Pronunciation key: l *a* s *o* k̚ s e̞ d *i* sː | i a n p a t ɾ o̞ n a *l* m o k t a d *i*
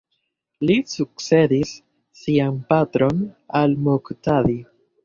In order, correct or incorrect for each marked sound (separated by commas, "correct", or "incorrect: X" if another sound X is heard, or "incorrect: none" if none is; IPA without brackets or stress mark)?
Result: incorrect: i, incorrect: u, correct, correct, correct